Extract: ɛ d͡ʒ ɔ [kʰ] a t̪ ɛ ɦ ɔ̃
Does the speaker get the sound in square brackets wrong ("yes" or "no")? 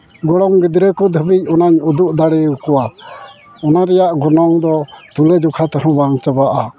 no